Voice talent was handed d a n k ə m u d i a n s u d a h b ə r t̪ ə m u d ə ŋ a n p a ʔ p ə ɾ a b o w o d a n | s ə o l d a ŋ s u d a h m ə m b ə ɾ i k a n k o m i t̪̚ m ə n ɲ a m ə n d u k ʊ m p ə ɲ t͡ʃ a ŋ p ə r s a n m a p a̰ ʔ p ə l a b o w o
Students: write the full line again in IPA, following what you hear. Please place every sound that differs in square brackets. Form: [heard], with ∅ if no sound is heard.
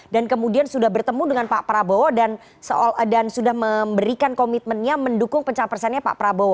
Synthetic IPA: d a n k ə m u d i a n s u d a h b ə r t̪ ə m u d ə ŋ a n p a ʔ p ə ɾ a b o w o d a n | s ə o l d a [n] s u d a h m ə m b ə ɾ i k a n k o m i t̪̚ m ə n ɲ a m ə n d u k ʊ [ŋ] p ə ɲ t͡ʃ a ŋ p ə r s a n [ɲ] a p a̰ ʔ p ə [ɾ] a b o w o